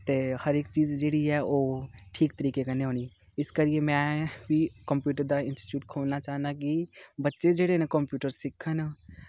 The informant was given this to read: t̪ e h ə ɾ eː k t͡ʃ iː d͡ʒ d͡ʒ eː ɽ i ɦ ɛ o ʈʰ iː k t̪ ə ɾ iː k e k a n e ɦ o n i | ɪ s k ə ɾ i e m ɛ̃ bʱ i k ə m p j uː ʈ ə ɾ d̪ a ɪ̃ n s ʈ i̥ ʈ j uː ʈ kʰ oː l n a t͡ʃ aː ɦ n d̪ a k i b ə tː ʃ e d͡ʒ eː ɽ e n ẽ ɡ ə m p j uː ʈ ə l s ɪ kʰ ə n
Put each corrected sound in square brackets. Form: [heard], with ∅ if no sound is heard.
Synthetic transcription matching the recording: t̪ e h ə ɾ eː k t͡ʃ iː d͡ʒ d͡ʒ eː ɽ i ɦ ɛ o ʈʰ iː k t̪ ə ɾ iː k e k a n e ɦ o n i | ɪ s k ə ɾ i e m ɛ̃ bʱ i k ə m p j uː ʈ ə ɾ d̪ a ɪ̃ n s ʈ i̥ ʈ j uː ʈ kʰ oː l n a t͡ʃ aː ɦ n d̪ a k i b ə tː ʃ e d͡ʒ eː ɽ e n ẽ [k] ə m p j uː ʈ ə [ɾ] s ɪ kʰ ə n